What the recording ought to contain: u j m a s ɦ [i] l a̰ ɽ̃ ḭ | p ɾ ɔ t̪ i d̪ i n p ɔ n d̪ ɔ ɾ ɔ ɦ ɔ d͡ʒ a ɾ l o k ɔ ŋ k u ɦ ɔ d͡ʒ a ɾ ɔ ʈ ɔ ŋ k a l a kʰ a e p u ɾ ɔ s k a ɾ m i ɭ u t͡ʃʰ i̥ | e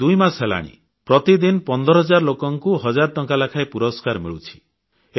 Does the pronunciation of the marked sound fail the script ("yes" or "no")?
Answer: yes